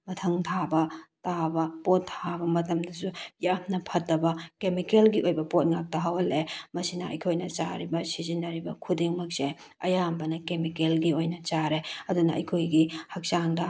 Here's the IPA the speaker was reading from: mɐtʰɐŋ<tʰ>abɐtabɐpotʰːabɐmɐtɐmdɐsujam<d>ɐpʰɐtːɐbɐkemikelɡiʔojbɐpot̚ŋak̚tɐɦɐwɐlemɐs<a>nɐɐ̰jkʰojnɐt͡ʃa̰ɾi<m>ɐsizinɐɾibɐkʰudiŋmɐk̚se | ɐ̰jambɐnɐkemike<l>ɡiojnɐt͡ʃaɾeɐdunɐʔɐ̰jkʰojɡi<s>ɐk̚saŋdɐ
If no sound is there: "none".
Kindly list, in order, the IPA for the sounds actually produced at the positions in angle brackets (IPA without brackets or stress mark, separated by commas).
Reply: tʰ, n, i, b, l, h